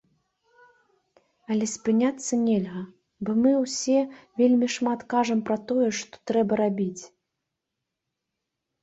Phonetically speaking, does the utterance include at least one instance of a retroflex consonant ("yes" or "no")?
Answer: yes